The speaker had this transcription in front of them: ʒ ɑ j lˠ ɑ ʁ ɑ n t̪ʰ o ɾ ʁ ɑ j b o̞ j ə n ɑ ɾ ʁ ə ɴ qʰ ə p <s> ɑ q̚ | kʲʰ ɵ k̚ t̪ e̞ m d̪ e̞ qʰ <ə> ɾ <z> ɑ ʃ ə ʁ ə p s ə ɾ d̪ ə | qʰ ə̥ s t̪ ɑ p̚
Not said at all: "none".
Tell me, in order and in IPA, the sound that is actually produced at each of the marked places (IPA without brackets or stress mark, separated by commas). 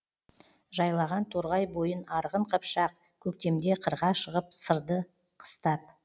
ʃ, ə, ʁ